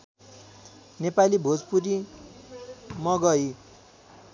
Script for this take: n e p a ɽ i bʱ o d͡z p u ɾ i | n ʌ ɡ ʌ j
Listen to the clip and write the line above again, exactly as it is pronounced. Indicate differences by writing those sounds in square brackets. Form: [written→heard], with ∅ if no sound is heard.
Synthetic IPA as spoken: n e p a [ɽ→l] i bʱ o d͡z p u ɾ i | [n→m] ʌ ɡ ʌ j